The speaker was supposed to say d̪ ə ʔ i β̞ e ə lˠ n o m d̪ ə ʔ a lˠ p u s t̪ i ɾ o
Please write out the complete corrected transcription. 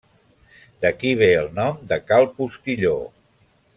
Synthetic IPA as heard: d̪ ə k i β̞ e ə lˠ n ɔ m d̪ ə k a lˠ p u s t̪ i ʎ o